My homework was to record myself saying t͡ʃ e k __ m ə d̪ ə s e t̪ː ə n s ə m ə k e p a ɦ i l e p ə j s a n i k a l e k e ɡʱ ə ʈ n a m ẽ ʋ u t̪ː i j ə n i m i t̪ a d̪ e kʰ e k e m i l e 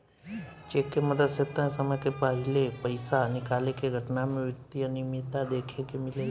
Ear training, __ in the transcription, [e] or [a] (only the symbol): e